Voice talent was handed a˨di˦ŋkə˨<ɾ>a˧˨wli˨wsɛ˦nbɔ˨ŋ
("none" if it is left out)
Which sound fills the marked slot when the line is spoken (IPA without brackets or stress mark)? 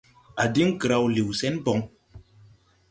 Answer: ɾ